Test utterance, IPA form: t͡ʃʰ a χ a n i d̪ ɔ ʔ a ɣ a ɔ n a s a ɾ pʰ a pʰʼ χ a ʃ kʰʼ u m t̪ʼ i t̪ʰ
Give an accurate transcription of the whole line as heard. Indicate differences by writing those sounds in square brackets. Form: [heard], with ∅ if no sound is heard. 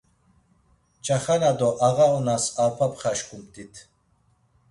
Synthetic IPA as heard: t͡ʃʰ a χ a n [a] d̪ ɔ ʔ a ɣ a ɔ n a s a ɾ pʰ a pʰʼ χ a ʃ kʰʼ u m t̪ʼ i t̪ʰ

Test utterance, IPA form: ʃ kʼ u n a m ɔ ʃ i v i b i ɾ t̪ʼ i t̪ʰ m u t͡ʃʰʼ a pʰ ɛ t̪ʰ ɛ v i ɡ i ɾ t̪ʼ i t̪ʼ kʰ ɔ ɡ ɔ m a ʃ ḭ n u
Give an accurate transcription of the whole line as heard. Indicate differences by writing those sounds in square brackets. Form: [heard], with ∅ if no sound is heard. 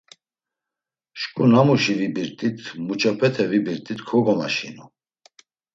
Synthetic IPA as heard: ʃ kʼ u n a m [u] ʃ i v i b i ɾ t̪ʼ i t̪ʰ m u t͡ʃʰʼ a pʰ ɛ t̪ʰ ɛ v i [b] i ɾ t̪ʼ i [t̪] kʰ ɔ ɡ ɔ m a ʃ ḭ n u

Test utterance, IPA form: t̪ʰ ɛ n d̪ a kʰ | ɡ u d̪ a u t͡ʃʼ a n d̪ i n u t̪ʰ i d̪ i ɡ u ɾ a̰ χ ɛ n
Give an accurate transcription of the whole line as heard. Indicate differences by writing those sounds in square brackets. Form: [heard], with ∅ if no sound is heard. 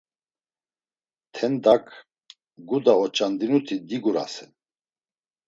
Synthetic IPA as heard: t̪ʰ ɛ n d̪ a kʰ | ɡ u d̪ a [ɔ] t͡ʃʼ a n d̪ i n u t̪ʰ i d̪ i ɡ u ɾ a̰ [s] ɛ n

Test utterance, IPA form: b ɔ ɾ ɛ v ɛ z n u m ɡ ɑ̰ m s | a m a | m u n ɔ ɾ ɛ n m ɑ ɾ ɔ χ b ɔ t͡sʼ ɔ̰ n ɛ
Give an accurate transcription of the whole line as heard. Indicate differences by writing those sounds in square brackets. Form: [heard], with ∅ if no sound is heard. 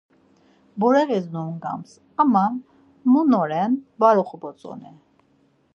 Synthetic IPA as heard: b ɔ ɾ ɛ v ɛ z n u m ɡ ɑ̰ m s | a m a | m u n ɔ ɾ ɛ n [b] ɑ ɾ ɔ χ b ɔ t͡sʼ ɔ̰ n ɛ

